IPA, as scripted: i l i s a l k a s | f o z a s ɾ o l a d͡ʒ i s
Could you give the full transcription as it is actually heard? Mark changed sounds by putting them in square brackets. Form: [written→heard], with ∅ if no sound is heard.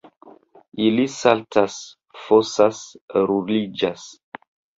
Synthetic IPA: i l i s a l [k→t] a s | f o [z→s] a s ɾ [o→u] l [a→i] d͡ʒ [i→a] s